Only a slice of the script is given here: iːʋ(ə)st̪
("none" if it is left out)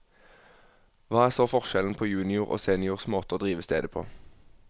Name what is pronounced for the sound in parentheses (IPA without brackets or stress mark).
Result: ə